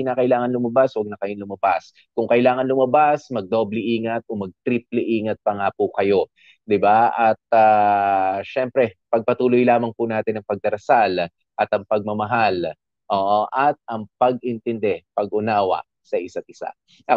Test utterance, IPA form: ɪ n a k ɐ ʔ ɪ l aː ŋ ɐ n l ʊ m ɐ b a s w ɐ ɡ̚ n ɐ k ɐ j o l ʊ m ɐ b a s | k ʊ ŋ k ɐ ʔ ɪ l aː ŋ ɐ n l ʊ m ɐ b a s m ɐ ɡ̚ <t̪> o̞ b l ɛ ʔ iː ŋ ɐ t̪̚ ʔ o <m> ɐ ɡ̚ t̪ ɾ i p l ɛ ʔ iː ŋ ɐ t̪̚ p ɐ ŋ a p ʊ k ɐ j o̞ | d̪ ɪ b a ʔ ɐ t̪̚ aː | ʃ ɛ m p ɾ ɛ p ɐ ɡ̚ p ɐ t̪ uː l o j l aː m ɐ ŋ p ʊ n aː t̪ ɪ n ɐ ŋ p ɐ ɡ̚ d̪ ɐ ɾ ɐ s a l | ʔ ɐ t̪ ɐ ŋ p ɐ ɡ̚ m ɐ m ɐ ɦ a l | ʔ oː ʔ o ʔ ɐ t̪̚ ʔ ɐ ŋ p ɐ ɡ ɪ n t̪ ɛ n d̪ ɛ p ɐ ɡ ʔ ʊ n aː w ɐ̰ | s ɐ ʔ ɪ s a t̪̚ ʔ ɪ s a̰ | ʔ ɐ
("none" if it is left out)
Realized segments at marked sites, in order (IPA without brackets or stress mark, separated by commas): d̪, m